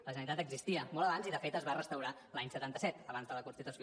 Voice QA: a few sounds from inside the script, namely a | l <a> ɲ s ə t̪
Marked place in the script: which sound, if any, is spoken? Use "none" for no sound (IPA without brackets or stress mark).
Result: a